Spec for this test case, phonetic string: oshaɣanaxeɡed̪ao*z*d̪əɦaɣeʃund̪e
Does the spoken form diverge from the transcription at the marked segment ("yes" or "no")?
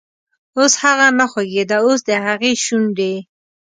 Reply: yes